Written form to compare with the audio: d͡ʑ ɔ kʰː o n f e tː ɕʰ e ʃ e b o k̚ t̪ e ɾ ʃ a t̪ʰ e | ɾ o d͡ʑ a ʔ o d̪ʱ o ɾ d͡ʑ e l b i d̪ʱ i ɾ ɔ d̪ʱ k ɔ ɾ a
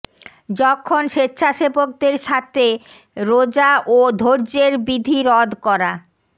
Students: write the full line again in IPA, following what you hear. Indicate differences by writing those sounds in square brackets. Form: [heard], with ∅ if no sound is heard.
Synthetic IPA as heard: d͡ʑ ɔ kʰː o n [ʃ] e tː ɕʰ [a] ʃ e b o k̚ [d̪] e ɾ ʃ a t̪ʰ e | ɾ o d͡ʑ a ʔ o d̪ʱ o ɾ d͡ʑ e [ɾ] b i d̪ʱ i ɾ ɔ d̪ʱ k ɔ ɾ a